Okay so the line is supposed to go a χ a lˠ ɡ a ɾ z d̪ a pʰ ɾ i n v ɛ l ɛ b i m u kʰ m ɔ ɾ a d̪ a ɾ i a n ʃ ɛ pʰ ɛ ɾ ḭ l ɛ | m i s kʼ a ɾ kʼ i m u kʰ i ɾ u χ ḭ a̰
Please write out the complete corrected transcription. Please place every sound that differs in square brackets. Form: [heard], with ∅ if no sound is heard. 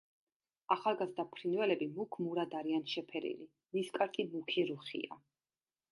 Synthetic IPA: a χ a lˠ ɡ a [∅] z d̪ a pʰ ɾ i n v ɛ l ɛ b i m u kʰ m [u] ɾ a d̪ a ɾ i a n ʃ ɛ pʰ ɛ ɾ ḭ l [i] | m i s kʼ a ɾ kʼ i m u kʰ i ɾ u χ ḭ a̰